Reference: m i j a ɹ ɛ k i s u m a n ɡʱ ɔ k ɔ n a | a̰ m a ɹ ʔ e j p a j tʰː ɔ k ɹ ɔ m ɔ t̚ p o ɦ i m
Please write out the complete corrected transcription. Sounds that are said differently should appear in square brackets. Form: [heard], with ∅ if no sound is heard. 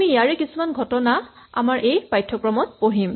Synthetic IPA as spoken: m i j a ɹ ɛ k i s u m a n ɡʱ ɔ [t] ɔ n a | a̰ m a ɹ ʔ e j p a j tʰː ɔ k ɹ ɔ m ɔ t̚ p o ɦ i m

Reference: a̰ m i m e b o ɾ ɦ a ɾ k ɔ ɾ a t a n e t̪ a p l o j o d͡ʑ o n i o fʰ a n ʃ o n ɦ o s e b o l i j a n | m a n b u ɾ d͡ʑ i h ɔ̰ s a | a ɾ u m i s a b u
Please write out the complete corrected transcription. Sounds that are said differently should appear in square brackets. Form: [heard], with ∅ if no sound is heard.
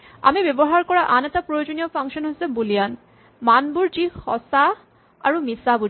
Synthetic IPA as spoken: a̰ m i [b] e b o [∅] ɦ a ɾ k ɔ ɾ a [ʔ] a n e t̪ a p [ɾ] o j o d͡ʑ o n i o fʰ a [ŋ] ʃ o n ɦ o s e b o l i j a n | m a n b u ɾ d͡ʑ i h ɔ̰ s a | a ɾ u m i s a b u

